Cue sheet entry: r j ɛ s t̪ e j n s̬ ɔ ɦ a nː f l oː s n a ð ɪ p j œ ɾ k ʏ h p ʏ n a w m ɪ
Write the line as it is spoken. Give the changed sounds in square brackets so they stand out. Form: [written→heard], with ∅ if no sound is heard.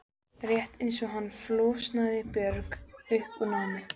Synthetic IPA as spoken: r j ɛ [s→h] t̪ e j n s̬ ɔ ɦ a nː f l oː s n a ð ɪ p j œ ɾ k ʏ h p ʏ n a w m ɪ